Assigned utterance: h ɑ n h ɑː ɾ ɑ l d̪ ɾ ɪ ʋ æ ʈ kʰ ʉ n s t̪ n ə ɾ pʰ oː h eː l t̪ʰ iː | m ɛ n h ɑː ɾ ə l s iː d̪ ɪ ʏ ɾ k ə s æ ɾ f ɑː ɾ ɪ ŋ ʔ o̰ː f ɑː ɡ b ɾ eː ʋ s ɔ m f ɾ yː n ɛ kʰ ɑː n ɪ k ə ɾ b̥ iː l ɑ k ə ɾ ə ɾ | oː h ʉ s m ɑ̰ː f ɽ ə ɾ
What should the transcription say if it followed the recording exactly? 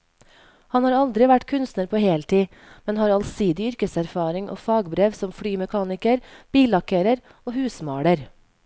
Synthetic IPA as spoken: h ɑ n h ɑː ɾ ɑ l d̪ ɾ ɪ ʋ æ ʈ kʰ ʉ n s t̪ n ə ɾ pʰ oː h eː l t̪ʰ iː | m ɛ n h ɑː ɾ ɑ l s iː d̪ ɪ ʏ ɾ k ə s æ ɾ f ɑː ɾ ɪ ŋ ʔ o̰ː f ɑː ɡ b ɾ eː ʋ s ɔ m f ɽ yː m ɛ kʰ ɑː n ɪ k ə ɾ b̥ iː l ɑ k ə ɾ ə ɾ | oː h ʉː s m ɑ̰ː ɽ ə ɾ